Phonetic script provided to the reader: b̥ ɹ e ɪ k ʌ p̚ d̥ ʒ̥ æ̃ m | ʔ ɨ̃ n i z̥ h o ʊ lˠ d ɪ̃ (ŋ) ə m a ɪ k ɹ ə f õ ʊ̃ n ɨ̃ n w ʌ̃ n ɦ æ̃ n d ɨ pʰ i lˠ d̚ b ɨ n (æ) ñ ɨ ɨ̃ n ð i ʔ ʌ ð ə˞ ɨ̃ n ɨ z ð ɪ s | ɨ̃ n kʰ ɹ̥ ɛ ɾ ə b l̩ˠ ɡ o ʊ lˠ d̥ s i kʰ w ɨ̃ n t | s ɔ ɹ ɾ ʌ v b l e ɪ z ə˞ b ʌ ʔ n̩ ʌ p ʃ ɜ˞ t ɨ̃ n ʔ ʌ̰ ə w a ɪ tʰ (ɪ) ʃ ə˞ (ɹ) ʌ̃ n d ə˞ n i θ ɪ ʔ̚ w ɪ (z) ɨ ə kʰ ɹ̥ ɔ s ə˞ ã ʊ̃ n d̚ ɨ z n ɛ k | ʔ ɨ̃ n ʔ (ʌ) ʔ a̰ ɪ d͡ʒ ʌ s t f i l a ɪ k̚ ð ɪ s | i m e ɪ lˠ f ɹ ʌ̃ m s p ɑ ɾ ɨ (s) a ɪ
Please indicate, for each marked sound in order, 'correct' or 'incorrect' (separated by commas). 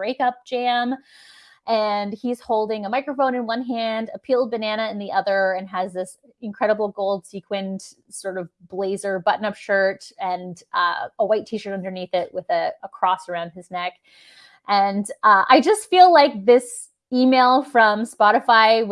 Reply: correct, correct, incorrect, incorrect, incorrect, correct, incorrect